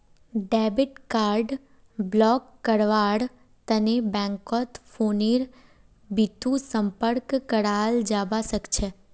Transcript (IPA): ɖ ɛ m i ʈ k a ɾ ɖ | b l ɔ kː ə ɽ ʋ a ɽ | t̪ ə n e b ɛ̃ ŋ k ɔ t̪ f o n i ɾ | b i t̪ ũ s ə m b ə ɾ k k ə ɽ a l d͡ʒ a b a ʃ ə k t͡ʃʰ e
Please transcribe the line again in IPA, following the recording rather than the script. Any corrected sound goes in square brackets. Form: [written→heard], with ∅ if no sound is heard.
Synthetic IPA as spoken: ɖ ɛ [m→b] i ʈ k a ɾ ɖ | b l ɔ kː ə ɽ ʋ a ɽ | t̪ ə n e b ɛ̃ ŋ k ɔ t̪ f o n i ɾ | b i t̪ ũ s ə m [b→p] ə ɾ k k ə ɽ a l d͡ʒ a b a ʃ ə k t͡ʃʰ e